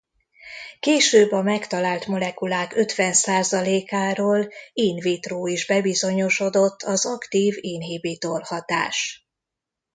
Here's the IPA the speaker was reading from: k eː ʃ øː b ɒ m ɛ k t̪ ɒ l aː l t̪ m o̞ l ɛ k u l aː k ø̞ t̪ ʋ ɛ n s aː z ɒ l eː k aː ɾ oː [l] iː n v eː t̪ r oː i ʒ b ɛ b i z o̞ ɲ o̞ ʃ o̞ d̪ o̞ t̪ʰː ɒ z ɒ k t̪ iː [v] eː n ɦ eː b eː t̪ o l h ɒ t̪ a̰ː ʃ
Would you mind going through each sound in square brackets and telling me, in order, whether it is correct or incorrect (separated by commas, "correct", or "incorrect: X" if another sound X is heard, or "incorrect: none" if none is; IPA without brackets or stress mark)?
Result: correct, correct